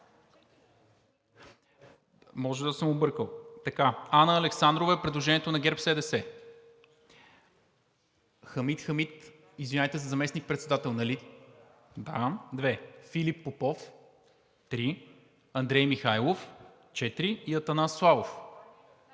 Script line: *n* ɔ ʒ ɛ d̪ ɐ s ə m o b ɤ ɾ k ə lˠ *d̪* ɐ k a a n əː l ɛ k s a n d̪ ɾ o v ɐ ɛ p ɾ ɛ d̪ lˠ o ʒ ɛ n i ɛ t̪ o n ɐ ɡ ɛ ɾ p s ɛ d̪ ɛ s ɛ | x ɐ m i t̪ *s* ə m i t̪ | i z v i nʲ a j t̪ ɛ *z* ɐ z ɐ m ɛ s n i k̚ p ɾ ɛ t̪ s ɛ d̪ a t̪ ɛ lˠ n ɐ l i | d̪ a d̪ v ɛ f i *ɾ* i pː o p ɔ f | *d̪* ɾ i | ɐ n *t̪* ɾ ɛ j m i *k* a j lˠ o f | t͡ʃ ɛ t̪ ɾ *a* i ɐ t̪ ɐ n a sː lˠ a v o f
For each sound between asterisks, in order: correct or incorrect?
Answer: incorrect: m, incorrect: t̪, incorrect: x, correct, incorrect: l, incorrect: t̪, incorrect: d̪, incorrect: x, incorrect: i

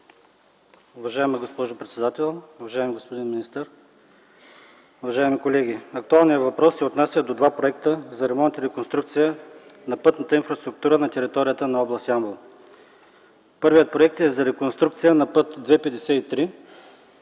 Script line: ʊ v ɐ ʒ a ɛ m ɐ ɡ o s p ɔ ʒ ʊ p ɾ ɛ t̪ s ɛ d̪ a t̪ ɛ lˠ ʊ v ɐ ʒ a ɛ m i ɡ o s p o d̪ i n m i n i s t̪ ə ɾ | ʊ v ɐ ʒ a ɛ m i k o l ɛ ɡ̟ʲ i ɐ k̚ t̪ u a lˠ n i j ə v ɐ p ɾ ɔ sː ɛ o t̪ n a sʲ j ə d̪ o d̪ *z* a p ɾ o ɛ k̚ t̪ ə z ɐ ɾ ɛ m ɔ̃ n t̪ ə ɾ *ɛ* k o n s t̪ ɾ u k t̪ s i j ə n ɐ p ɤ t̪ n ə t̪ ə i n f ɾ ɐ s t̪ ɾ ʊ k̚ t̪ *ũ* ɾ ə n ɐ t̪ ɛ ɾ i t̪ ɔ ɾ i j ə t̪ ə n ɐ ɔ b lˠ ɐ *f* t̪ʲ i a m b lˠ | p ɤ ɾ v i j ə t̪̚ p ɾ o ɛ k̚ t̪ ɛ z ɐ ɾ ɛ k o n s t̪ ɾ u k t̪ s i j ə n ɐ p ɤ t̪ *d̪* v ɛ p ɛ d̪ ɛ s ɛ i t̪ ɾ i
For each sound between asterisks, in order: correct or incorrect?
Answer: incorrect: v, correct, incorrect: u, incorrect: s, correct

